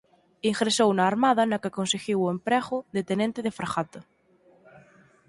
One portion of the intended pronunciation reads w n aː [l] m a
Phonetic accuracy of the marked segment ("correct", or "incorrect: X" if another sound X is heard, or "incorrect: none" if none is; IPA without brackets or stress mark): incorrect: ɾ